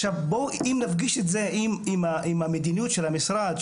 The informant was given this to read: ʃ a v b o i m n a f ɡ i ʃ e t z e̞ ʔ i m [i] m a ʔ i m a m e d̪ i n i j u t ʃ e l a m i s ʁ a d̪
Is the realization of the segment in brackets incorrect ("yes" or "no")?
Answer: no